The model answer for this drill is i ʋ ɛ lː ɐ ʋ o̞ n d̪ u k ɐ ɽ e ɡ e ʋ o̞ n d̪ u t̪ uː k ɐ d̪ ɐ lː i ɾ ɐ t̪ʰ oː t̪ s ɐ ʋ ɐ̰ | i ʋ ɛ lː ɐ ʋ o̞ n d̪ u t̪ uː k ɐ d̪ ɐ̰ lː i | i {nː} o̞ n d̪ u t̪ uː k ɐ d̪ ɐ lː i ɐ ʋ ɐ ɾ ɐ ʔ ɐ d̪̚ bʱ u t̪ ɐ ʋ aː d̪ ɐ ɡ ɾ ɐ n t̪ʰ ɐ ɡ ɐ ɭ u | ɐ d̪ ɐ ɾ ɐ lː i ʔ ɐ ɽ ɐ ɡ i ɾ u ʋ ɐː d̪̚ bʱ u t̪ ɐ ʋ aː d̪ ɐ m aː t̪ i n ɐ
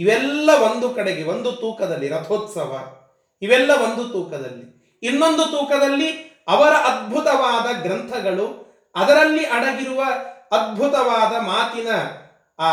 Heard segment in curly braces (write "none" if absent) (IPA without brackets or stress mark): nː